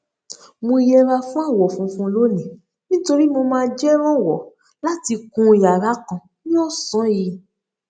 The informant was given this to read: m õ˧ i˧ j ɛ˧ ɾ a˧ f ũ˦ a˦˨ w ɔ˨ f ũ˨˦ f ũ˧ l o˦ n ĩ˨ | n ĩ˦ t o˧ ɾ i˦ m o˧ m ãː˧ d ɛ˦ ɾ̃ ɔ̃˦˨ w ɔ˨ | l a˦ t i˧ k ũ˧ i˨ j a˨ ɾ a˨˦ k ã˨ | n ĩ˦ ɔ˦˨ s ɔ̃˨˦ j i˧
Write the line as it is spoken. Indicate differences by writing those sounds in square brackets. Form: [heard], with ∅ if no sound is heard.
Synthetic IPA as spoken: m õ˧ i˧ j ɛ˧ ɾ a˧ f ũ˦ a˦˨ w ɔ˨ f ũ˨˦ f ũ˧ l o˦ n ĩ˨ | n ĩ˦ t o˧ ɾ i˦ m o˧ m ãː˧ [d͡ʒ] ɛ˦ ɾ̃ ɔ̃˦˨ w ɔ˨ | l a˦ t i˧ k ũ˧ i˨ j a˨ ɾ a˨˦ k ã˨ | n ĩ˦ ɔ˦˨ s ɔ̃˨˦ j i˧